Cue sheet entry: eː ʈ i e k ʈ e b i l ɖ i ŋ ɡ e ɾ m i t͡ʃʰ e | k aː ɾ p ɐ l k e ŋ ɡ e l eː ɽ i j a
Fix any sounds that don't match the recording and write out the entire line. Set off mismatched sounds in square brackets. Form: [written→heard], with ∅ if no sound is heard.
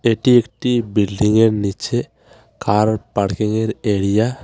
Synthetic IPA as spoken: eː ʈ i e k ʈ [e→i] b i l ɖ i ŋ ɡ e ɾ [m→n] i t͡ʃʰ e | k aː ɾ p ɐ [l→ɽ] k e ŋ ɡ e [l→ɾ] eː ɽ i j a